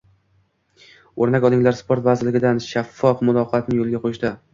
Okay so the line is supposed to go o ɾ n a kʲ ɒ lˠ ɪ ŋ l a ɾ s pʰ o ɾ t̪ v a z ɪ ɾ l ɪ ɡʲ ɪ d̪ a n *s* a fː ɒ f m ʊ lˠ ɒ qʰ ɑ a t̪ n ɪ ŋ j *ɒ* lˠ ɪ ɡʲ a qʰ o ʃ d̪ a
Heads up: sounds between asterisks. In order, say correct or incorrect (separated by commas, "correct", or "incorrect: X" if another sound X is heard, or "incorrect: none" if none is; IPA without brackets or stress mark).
incorrect: ʃ, incorrect: o